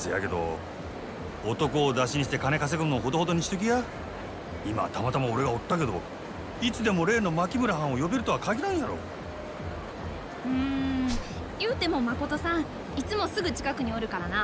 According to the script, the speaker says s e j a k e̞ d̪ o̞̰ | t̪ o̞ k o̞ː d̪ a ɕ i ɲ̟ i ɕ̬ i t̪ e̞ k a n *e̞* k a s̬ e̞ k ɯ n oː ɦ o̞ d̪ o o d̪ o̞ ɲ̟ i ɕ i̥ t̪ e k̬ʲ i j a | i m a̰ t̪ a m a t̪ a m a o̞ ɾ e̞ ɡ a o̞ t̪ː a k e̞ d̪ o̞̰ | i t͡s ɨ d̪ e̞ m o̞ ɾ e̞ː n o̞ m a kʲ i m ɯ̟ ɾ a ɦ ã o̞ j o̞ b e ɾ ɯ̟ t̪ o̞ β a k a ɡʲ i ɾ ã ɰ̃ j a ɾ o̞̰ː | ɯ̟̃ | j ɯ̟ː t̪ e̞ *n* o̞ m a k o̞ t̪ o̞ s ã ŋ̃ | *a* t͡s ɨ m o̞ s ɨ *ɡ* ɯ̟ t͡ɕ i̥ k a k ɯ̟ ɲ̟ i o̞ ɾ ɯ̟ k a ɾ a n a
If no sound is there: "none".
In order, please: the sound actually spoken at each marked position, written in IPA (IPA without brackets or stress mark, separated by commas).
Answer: e̞, m, i, ɡ